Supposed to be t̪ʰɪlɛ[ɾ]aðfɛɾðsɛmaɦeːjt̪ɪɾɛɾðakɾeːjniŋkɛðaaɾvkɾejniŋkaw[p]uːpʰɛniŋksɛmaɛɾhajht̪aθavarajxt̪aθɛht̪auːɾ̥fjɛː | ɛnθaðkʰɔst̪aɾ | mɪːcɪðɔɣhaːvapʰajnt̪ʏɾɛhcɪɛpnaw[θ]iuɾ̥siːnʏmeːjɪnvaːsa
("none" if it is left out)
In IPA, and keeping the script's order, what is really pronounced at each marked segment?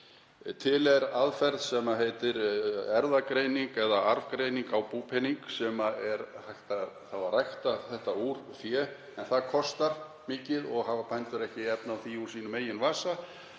ɾ, p, θ

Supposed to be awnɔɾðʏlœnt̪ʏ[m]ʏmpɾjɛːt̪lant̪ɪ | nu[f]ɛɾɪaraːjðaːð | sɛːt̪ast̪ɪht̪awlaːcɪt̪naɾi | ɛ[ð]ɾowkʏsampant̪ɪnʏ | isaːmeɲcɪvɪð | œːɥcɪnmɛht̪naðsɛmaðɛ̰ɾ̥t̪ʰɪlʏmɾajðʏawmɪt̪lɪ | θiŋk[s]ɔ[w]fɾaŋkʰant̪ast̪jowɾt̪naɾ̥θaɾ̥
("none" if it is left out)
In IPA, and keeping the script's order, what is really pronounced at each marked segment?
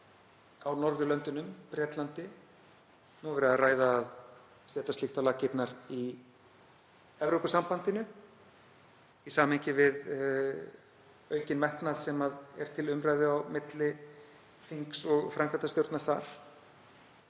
n, v, v, s, ɣ

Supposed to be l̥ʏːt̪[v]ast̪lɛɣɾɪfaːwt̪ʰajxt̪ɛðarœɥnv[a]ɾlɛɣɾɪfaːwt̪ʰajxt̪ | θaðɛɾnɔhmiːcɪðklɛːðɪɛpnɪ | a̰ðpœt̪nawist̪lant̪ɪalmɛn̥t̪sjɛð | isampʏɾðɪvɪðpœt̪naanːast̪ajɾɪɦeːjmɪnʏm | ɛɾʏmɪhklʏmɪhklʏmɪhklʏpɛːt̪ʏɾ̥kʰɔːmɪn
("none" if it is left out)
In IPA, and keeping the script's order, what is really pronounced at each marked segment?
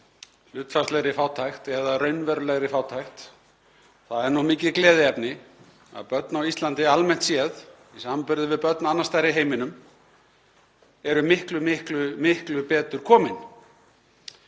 f, ɛ

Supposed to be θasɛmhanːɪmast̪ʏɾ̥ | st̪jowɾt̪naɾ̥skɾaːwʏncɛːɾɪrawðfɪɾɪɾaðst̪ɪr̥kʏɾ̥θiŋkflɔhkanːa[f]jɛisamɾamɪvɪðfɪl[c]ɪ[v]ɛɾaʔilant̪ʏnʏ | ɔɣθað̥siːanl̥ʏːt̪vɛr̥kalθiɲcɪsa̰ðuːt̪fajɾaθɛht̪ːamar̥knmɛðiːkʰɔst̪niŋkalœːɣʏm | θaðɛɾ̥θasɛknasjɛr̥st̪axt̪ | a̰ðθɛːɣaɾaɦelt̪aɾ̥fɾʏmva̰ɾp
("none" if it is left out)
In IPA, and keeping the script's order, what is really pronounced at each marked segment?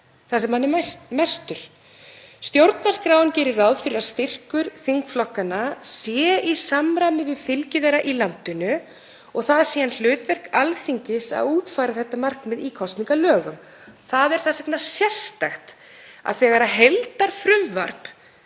s, c, ð

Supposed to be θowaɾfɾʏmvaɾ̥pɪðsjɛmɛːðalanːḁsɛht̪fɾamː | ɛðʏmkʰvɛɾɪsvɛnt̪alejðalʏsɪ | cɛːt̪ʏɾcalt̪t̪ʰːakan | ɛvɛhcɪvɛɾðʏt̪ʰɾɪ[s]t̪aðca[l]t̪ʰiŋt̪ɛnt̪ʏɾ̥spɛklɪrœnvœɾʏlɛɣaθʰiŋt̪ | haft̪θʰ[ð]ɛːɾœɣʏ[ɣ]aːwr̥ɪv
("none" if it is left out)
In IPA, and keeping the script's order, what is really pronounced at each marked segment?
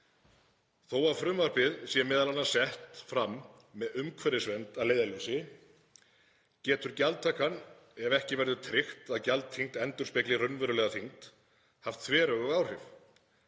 x, l, v, ɣ

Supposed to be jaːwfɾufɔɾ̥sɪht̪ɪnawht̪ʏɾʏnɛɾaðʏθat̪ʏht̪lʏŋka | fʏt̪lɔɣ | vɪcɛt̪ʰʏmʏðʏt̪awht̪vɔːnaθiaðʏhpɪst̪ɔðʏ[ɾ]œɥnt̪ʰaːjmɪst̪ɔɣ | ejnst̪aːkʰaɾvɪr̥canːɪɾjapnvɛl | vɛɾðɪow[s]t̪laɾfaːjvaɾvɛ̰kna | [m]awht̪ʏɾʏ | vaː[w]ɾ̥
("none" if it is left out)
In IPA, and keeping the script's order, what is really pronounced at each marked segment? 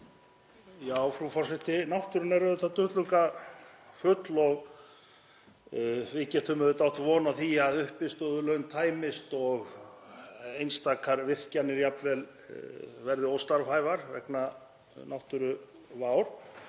l, s, n, w

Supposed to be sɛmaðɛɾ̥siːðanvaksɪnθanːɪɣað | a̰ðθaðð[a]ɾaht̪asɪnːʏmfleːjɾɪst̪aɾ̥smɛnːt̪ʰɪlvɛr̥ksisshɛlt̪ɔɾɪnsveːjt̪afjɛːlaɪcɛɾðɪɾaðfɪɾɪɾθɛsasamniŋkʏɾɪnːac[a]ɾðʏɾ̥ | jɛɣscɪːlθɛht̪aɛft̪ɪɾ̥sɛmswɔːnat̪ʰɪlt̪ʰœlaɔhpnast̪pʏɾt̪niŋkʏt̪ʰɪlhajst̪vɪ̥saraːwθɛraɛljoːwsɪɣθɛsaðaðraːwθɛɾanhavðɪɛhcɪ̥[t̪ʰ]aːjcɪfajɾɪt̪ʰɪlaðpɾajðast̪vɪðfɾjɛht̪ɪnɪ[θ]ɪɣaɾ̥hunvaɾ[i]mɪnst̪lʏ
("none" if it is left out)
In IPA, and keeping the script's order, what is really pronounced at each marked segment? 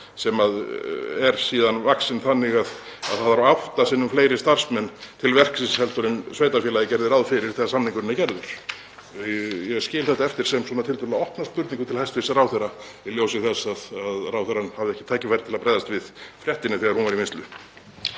a, ɛ, t̪ʰ, θ, i

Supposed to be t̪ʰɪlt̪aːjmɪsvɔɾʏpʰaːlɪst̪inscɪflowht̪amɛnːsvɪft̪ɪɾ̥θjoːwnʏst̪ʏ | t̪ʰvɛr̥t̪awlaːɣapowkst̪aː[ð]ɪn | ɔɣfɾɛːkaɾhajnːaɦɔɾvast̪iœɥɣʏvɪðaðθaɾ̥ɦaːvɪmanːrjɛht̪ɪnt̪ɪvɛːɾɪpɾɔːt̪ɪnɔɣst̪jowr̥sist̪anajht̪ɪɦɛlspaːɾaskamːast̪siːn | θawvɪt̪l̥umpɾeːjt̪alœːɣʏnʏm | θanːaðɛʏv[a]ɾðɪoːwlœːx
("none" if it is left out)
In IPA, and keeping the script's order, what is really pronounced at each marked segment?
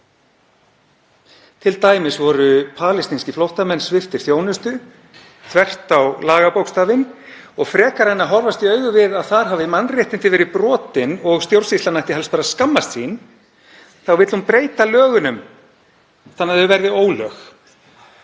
v, ɛ

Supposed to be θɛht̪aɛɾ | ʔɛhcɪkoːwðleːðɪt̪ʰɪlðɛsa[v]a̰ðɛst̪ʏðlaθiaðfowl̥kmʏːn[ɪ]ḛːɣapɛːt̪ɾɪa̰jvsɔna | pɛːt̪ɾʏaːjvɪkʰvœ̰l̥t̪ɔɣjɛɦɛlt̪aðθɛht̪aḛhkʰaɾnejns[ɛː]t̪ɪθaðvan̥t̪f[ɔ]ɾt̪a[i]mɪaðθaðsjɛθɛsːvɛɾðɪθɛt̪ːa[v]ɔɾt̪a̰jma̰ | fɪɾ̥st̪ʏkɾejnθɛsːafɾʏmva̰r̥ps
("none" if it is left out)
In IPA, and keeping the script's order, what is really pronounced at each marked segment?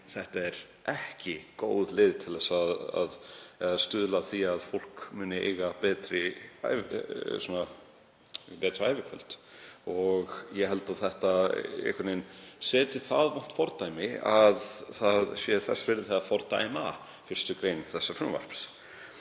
ð, ɪ, ɛː, ɔ, j, f

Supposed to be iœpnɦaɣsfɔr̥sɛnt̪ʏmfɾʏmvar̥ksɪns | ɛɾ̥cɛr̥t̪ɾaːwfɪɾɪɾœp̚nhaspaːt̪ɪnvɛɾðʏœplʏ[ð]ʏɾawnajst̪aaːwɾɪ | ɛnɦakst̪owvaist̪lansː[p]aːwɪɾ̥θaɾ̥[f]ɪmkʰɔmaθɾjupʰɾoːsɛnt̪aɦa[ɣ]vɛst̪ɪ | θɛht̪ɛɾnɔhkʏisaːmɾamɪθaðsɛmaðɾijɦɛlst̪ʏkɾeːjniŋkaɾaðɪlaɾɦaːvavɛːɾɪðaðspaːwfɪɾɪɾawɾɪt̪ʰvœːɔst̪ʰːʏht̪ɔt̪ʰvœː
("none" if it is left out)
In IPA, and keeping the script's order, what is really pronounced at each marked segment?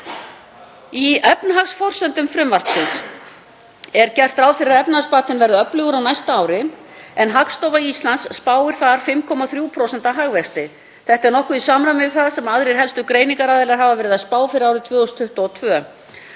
ɣ, p, f, ɣ

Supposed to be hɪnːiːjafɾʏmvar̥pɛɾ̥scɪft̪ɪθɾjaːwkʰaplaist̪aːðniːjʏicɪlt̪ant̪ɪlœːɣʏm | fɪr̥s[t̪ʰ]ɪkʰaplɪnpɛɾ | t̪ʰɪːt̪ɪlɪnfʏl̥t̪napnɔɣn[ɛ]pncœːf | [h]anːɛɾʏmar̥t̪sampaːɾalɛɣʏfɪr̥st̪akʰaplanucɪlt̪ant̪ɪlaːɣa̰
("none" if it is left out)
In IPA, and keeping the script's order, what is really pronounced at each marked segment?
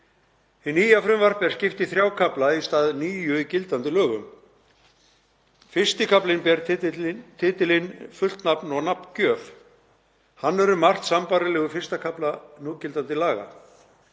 t̪, a, h

